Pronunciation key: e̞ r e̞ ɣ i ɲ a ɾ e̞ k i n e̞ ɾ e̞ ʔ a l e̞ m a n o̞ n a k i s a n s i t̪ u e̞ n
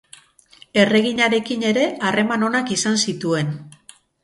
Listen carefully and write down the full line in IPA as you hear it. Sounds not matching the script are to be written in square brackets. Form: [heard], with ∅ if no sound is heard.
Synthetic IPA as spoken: e̞ r e̞ ɣ i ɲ a ɾ e̞ k i n e̞ ɾ e̞ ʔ a [r] e̞ m a n o̞ n a k i s a n s i t̪ u e̞ n